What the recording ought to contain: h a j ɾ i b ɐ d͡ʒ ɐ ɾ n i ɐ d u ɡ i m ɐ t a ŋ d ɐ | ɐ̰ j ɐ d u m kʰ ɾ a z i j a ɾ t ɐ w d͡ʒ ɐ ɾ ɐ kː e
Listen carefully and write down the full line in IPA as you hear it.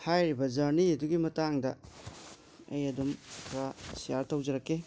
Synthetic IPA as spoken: h a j ɾ i b ɐ d͡ʒ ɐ ɾ n i ɐ d u ɡ i m ɐ t a ŋ d ɐ | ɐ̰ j ɐ d u m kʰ ɾ a s i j a ɾ t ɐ w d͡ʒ ɐ ɾ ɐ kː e